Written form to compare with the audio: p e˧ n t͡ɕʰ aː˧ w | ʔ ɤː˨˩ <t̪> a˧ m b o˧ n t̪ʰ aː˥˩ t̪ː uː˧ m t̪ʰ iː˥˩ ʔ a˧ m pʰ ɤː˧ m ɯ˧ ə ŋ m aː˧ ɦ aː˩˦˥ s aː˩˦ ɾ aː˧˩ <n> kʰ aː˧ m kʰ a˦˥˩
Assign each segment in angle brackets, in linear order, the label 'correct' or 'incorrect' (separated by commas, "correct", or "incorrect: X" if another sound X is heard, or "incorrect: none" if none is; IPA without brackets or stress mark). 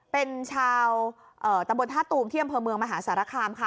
correct, incorrect: none